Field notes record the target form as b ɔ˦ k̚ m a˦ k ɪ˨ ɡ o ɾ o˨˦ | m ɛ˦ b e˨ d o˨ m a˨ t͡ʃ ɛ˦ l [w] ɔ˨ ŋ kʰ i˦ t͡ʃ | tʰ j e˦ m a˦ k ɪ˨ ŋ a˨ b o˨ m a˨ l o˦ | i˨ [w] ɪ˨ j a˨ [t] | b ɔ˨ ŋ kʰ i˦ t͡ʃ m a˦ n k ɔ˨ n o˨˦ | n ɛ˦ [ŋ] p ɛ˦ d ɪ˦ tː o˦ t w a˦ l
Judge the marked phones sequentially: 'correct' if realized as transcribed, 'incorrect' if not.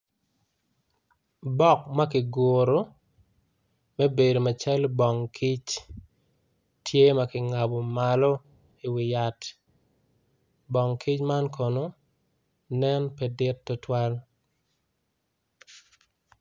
incorrect: b, correct, correct, incorrect: n

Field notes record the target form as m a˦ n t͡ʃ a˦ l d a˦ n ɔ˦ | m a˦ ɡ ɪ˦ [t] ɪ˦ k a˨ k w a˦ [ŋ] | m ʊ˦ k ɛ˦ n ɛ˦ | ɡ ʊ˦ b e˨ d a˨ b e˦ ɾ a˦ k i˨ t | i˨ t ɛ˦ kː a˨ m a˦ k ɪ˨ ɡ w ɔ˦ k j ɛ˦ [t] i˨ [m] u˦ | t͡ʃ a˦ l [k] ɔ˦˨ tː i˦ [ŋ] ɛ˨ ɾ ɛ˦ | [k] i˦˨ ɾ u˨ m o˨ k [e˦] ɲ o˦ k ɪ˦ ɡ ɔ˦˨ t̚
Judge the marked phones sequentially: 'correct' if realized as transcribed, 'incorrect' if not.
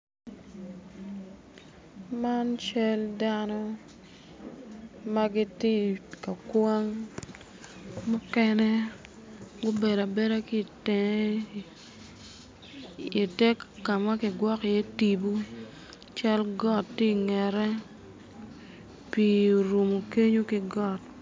correct, correct, correct, incorrect: b, incorrect: ɡ, correct, incorrect: p, correct

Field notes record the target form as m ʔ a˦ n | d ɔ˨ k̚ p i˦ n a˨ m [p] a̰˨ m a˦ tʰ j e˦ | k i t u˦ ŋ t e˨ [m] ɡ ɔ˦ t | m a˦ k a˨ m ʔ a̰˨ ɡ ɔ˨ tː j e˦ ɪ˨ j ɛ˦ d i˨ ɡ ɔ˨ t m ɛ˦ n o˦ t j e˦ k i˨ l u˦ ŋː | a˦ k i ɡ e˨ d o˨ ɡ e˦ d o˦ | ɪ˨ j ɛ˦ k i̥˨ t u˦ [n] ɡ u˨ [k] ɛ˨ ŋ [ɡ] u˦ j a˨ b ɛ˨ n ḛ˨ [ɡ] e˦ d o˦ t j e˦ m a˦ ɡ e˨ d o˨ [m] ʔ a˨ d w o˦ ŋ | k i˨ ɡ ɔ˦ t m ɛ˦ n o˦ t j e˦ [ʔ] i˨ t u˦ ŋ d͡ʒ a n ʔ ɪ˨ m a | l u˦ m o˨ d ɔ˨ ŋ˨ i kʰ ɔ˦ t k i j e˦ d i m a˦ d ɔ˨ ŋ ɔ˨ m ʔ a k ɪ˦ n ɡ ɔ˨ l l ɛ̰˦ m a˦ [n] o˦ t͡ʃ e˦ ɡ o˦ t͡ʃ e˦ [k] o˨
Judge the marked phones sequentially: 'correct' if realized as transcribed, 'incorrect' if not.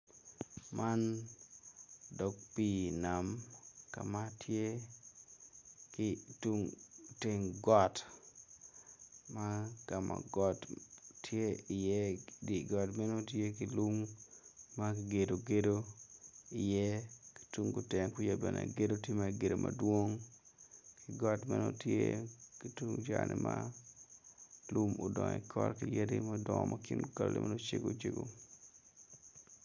incorrect: k, incorrect: ŋ, incorrect: ŋ, incorrect: t, incorrect: k, correct, correct, incorrect: k, correct, incorrect: ɡ

